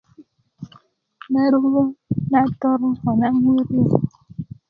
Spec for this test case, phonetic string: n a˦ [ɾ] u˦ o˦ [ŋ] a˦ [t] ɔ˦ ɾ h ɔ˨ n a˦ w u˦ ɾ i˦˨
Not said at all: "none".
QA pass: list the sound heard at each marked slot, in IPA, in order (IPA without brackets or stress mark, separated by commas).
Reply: ɾ, n, t